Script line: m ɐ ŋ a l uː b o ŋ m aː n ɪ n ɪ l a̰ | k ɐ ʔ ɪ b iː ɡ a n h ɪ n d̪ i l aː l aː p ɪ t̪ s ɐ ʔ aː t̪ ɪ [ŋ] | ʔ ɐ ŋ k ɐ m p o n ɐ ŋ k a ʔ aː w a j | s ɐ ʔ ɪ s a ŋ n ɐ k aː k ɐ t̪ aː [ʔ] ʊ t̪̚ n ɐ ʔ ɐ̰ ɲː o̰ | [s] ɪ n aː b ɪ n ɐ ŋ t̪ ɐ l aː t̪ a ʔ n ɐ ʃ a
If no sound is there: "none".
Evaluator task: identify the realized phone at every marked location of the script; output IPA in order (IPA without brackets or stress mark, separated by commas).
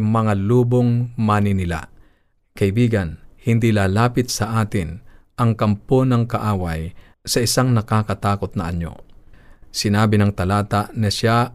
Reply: n, k, s